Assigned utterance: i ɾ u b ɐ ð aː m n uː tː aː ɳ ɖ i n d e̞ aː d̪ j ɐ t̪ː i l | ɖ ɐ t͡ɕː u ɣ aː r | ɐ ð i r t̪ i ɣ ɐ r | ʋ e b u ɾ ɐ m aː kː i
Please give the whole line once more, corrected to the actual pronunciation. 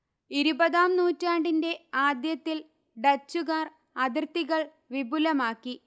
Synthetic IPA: i ɾ u b ɐ ð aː m n uː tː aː ɳ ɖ i n d e̞ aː d̪ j ɐ t̪ː i l | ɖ ɐ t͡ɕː u ɣ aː r | ɐ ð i r t̪ i ɣ ɐ ɭ | ʋ i b u l ɐ m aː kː i